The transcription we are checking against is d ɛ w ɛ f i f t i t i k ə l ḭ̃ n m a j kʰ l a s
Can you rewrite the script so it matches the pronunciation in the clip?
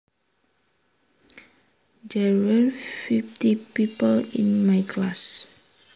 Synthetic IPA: d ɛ w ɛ f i f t i p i p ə l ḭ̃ n m a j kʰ l a s